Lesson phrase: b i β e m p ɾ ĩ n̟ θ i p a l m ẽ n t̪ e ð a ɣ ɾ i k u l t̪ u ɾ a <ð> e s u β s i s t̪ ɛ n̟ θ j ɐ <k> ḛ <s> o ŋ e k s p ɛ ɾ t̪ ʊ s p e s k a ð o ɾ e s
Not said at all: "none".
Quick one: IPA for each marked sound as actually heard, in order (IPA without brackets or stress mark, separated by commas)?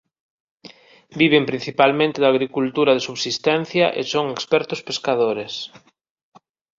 ð, ʔ, s